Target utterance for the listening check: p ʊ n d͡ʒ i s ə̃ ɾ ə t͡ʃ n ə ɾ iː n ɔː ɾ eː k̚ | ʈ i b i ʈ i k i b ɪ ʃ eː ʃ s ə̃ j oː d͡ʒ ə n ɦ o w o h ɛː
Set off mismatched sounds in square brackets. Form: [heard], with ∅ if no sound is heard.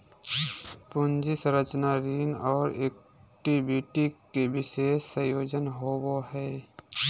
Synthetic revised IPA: p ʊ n d͡ʒ i s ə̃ ɾ ə t͡ʃ n [a] ɾ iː n ɔː ɾ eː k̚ | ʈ i b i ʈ i k [e] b ɪ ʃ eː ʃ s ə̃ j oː d͡ʒ ə n ɦ o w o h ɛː